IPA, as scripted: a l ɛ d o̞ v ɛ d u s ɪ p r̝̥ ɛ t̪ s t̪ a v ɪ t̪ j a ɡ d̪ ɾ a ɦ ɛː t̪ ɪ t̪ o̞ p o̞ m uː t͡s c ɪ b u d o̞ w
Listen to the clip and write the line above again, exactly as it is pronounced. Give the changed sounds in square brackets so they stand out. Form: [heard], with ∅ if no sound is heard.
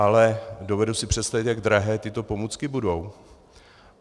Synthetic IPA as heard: a l ɛ d o̞ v ɛ d u s ɪ p r̝̥ ɛ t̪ s t̪ a v ɪ t̪ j a ɡ d̪ ɾ a ɦ ɛː t̪ ɪ t̪ o̞ p o̞ m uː t͡s [k] ɪ b u d o̞ w